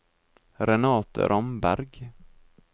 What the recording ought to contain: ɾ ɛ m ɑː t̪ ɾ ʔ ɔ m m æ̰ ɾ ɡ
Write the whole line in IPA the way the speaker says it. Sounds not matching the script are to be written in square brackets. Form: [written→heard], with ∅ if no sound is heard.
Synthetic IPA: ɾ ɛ [m→n] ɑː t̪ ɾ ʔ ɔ m [m→b] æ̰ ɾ ɡ